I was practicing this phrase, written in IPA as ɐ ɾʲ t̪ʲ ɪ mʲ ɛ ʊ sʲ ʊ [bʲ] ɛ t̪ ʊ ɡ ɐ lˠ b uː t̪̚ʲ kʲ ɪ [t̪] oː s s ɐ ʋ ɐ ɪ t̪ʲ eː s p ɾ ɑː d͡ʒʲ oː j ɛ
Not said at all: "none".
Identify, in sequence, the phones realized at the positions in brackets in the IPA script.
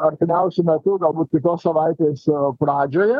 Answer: mʲ, t̪

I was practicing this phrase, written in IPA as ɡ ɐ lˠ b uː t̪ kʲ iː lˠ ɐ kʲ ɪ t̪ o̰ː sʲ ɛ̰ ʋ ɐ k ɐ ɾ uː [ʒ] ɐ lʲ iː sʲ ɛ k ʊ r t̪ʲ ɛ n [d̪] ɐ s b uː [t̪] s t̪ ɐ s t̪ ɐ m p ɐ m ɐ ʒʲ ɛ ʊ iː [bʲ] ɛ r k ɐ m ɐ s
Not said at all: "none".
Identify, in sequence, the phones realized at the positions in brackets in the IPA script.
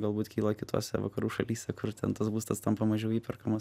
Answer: ʃ, t̪, none, pʲ

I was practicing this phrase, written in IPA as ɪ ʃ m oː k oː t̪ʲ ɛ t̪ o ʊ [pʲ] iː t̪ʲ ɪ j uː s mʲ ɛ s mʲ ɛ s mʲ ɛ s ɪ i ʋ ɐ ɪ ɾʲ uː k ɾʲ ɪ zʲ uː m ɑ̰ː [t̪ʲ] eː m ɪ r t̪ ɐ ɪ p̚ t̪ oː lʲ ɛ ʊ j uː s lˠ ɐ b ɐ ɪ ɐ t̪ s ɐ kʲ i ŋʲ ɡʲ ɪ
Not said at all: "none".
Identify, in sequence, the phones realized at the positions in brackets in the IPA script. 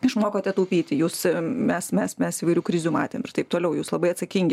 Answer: pʲ, t̪ʲ

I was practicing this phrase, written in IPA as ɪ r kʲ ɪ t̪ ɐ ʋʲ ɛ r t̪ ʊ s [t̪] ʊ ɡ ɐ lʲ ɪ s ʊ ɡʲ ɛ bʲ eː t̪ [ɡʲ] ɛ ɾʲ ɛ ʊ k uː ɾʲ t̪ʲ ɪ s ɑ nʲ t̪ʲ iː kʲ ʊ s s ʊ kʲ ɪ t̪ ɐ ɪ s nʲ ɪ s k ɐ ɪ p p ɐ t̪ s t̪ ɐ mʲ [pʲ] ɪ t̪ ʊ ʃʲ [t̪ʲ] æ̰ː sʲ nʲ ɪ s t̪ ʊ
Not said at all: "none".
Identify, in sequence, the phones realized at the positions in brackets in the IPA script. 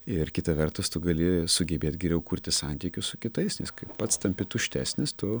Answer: t̪, ɡʲ, pʲ, t̪ʲ

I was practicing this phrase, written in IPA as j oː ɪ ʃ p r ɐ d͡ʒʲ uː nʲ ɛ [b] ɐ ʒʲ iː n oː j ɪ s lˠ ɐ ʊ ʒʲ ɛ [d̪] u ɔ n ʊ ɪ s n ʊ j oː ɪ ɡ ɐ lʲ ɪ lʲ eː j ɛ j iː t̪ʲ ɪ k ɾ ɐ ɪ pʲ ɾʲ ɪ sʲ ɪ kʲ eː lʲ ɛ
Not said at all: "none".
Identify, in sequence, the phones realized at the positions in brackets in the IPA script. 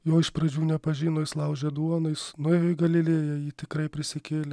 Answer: p, d̪

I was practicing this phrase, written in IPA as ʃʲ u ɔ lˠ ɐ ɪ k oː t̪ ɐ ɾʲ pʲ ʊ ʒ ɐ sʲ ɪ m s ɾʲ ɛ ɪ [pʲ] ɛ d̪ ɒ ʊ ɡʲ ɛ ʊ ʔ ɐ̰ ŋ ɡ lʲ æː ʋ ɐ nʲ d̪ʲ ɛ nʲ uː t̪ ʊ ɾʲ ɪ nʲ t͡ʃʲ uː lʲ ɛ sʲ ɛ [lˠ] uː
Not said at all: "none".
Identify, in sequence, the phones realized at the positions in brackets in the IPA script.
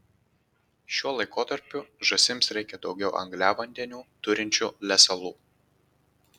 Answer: kʲ, lˠ

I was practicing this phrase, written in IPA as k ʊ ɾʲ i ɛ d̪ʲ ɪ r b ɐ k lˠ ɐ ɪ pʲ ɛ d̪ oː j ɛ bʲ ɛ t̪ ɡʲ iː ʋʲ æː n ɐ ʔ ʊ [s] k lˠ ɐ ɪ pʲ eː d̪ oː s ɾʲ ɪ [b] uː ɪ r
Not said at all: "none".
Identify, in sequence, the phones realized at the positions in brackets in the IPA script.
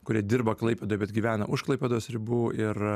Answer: ʃ, b

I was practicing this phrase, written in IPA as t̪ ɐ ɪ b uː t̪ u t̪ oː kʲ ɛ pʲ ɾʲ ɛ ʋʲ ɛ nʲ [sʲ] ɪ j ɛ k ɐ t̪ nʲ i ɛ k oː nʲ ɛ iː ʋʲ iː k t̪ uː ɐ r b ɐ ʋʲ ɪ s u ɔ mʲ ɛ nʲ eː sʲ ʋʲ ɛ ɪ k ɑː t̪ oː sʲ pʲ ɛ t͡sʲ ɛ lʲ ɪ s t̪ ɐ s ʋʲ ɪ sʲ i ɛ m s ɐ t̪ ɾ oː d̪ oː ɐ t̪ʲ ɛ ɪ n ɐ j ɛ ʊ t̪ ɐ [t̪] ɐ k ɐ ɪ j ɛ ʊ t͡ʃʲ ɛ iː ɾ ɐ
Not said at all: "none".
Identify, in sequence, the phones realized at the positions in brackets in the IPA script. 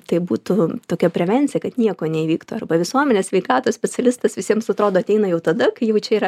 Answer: t͡sʲ, d̪

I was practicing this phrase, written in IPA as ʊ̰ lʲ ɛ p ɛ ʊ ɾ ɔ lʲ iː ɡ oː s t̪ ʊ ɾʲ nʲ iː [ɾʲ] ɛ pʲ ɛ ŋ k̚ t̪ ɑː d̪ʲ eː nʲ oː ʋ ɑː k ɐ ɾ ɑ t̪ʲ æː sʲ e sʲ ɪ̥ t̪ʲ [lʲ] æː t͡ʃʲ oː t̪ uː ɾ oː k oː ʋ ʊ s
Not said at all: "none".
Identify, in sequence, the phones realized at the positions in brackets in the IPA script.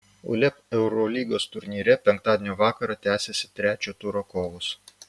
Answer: ɾʲ, ɾʲ

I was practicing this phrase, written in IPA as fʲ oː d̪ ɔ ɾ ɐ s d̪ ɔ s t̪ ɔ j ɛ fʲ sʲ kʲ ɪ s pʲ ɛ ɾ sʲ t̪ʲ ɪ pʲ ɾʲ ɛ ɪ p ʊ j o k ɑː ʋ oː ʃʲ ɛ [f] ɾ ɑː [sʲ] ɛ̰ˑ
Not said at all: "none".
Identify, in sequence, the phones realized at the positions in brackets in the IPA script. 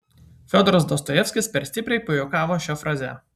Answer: f, zʲ

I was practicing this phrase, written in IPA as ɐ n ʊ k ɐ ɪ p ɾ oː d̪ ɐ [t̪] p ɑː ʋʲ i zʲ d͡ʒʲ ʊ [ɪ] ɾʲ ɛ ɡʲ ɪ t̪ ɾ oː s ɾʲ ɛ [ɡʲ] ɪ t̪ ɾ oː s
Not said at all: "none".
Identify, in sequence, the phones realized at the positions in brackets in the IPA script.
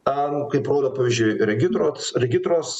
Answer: none, ɪ, ɡʲ

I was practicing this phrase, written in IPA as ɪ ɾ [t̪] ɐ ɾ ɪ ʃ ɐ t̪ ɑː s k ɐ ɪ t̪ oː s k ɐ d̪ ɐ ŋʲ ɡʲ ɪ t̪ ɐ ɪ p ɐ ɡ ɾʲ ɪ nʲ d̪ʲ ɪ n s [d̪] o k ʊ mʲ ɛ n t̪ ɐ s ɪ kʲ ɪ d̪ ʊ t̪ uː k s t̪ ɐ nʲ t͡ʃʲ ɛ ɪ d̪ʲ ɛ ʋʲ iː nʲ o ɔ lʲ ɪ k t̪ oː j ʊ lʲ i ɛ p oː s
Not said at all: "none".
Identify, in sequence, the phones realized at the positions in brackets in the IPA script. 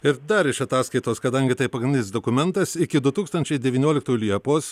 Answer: d̪, d̪

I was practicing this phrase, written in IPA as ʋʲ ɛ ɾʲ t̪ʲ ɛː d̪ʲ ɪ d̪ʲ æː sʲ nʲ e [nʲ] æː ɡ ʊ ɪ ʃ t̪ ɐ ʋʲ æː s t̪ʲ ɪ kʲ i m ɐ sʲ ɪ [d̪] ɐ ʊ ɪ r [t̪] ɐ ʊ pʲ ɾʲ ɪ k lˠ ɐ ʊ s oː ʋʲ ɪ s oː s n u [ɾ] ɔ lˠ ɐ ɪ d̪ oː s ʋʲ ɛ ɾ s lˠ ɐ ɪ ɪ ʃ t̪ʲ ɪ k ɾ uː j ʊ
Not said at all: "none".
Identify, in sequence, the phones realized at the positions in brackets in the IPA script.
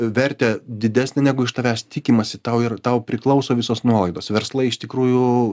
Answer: nʲ, t̪, t̪, none

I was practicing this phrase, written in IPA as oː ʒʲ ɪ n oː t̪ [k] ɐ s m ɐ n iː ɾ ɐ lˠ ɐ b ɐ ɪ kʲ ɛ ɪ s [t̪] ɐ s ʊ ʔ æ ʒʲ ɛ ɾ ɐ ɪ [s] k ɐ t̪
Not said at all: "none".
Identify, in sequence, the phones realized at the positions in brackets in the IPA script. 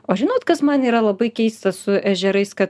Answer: k, t̪, s

